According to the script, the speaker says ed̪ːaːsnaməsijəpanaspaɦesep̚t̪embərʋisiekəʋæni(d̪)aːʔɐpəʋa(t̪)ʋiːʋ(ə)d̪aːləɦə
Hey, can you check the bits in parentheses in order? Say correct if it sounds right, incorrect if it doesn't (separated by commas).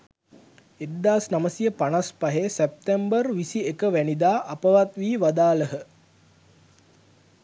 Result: correct, correct, incorrect